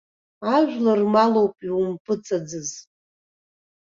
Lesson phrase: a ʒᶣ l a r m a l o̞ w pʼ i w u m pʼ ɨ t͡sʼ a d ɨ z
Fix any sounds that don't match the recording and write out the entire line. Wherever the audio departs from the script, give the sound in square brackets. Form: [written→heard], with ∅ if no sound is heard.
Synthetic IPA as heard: a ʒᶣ l a r m a l o̞ w pʼ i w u m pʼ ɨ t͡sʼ a [d→d͡z] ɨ z